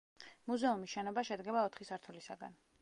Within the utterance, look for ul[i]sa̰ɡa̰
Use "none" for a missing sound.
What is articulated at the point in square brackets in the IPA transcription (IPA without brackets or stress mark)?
i